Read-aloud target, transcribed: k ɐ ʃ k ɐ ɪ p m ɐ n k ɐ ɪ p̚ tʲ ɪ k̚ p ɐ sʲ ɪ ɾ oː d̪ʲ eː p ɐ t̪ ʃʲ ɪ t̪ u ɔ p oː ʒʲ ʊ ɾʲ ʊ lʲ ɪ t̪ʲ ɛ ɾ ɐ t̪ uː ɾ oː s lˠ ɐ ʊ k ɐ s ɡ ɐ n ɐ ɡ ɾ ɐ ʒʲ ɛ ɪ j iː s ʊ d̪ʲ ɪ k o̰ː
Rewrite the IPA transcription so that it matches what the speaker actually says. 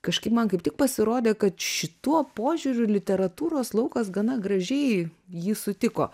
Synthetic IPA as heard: k ɐ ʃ k ɐ ɪ p m ɐ n k ɐ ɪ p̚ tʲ ɪ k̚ p ɐ sʲ ɪ ɾ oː d̪ʲ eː k ɐ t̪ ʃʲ ɪ t̪ u ɔ p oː ʒʲ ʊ ɾʲ ʊ lʲ ɪ t̪ʲ ɛ ɾ ɐ t̪ uː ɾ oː s lˠ ɐ ʊ k ɐ s ɡ ɐ n ɐ ɡ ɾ ɐ ʒʲ ɛ ɪ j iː s ʊ t̪ʲ ɪ k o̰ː